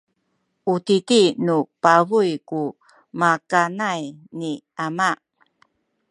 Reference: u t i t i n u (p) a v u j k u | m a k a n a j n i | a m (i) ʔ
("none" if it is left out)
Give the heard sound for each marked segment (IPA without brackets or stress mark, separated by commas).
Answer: p, a